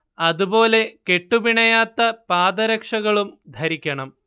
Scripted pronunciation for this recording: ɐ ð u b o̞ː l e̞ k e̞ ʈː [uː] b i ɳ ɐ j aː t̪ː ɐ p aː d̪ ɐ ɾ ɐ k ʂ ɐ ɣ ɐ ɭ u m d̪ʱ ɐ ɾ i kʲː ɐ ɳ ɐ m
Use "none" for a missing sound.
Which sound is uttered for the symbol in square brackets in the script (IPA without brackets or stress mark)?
u